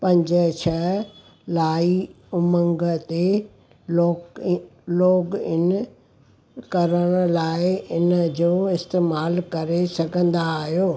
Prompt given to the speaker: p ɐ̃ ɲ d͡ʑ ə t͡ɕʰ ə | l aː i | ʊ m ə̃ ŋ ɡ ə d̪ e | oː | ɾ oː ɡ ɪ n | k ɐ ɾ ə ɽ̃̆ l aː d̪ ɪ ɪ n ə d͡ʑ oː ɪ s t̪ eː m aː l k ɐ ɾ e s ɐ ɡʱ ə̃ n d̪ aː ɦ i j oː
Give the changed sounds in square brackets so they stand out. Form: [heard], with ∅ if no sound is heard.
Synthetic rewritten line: p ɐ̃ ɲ d͡ʑ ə t͡ɕʰ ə | l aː i | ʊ m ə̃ ŋ ɡ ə [t̪] e | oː | [l] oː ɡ ɪ n | k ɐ ɾ ə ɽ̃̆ l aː [∅] ɪ ɪ n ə d͡ʑ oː ɪ s t̪ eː m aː l k ɐ ɾ e s ɐ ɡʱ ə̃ n d̪ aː ɦ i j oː